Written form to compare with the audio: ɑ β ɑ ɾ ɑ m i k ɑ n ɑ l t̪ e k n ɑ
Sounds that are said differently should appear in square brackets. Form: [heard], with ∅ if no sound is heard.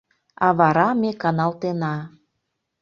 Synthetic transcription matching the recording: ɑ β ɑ ɾ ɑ m [e] k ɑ n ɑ l t̪ e [∅] n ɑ